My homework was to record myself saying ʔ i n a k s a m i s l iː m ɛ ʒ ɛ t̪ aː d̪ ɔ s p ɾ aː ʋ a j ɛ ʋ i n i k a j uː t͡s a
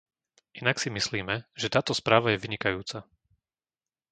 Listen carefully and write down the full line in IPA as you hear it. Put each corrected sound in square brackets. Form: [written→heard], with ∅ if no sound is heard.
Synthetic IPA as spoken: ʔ i n a k s [a→i] m i s l iː m ɛ ʒ ɛ t̪ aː [d̪→t̪] ɔ s p ɾ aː ʋ a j ɛ ʋ i [n→ɲ] i k a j uː t͡s a